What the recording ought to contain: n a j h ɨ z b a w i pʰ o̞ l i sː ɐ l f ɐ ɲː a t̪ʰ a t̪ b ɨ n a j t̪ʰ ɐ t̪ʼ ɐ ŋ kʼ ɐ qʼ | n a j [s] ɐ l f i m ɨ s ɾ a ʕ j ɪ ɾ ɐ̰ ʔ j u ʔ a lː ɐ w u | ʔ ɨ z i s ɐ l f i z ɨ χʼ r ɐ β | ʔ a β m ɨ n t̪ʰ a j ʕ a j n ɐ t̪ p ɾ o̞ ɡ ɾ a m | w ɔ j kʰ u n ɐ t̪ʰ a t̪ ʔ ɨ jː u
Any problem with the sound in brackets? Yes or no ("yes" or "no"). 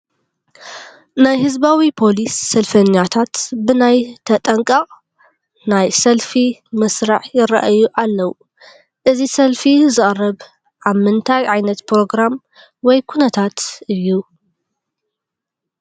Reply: no